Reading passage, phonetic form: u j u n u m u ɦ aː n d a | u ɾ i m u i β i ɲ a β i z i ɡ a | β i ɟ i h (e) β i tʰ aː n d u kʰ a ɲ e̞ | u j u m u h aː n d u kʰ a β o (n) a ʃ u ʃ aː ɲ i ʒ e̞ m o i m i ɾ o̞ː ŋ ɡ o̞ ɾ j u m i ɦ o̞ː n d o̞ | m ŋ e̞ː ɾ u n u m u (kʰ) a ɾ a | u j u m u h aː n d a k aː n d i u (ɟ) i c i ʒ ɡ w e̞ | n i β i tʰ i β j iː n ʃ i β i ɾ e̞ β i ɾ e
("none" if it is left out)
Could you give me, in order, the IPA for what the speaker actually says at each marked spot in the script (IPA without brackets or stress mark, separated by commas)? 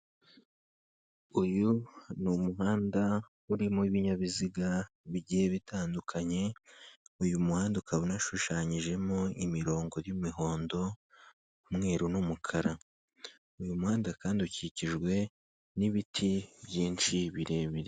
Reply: e, n, kʰ, c